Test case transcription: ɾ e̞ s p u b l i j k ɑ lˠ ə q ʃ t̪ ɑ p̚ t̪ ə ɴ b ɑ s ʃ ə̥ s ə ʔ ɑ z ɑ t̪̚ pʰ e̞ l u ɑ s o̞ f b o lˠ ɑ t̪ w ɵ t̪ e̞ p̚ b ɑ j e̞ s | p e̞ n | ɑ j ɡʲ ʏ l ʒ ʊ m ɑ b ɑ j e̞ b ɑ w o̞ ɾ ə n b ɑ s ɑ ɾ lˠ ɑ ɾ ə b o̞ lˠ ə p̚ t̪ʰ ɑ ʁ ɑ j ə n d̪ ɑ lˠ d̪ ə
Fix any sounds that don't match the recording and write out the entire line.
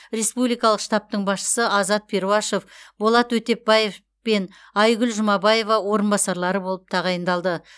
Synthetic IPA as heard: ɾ e̞ s p u b l i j k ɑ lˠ ə q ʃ t̪ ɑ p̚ t̪ ə ɴ b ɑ s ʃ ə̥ s ə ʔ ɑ z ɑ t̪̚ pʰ e̞ ɾ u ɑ ʃ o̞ f b o lˠ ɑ t̪ w ɵ t̪ e̞ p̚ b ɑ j e̞ f | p e̞ n | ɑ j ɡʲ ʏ l ʒ ʊ m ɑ b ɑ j e̞ v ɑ w o̞ ɾ ə n b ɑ s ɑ ɾ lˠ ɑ ɾ ə b o̞ lˠ ə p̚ t̪ʰ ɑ ʁ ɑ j ə n d̪ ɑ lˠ d̪ ə